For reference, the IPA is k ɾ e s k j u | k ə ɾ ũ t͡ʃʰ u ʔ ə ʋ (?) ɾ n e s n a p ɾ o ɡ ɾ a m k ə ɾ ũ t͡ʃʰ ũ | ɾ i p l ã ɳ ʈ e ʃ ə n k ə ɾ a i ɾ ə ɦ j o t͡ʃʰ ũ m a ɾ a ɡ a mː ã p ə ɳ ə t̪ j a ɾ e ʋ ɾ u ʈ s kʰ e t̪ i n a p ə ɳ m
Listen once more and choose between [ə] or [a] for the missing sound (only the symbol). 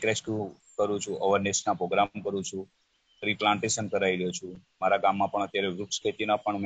ə